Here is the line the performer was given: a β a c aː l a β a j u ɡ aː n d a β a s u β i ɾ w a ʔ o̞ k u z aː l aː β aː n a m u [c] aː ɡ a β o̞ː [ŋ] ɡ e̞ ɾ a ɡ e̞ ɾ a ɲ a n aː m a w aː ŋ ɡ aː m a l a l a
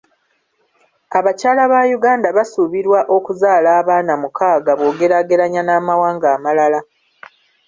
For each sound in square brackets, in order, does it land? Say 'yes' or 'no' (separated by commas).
no, no